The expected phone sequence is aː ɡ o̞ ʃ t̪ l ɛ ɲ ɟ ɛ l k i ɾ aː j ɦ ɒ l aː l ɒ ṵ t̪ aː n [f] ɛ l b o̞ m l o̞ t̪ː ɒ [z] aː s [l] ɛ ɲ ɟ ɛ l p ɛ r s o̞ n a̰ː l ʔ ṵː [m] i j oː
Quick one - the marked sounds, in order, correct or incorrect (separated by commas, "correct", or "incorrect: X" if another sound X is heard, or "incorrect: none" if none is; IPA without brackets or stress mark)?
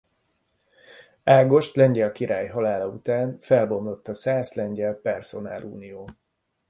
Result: correct, incorrect: s, correct, incorrect: n